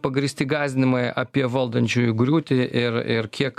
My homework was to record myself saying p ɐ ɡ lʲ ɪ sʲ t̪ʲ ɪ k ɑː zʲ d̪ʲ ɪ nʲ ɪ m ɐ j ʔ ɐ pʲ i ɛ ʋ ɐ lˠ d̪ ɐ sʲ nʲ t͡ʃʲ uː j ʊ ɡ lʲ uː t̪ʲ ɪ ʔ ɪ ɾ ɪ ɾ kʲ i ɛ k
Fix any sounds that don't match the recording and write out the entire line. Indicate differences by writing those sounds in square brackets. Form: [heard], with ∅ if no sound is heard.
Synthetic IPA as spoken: p ɐ ɡ [ɾʲ] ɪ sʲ t̪ʲ ɪ [ɡ] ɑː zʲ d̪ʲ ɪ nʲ ɪ m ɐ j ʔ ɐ pʲ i ɛ ʋ ɐ lˠ d̪ ɐ [∅] nʲ t͡ʃʲ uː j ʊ ɡ [ɾʲ] uː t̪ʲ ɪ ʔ ɪ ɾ ɪ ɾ kʲ i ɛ k